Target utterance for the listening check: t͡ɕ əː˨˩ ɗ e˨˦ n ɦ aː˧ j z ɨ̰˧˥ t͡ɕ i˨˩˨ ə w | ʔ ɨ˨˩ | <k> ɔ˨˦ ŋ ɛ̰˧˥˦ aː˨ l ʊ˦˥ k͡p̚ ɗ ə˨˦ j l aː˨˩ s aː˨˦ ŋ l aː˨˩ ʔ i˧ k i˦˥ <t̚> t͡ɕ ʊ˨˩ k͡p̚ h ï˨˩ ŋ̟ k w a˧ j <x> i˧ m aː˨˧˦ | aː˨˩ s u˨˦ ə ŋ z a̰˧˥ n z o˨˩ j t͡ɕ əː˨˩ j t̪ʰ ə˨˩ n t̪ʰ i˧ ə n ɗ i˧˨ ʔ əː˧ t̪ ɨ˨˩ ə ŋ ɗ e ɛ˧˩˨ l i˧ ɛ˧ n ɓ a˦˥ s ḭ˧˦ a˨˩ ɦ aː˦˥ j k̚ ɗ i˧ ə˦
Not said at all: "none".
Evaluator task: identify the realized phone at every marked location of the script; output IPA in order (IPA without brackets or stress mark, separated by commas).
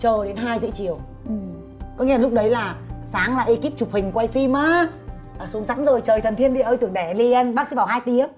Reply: k, p̚, f